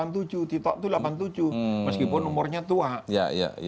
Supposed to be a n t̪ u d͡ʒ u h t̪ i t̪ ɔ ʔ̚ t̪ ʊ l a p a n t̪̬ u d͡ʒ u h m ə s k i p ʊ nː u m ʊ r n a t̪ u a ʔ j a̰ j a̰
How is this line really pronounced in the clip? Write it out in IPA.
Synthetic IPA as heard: a n t̪ u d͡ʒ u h t̪ i t̪ ɔ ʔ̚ t̪ u l a p a n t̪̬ u d͡ʒ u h m ə s k i p ʊ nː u m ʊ r ɲ a t̪ u a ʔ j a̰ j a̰